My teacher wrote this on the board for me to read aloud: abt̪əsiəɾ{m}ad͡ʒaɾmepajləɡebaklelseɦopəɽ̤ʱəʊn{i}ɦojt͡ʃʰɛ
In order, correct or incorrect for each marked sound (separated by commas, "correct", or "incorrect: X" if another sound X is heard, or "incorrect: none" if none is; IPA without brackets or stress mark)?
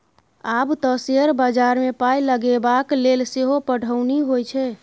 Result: incorrect: b, correct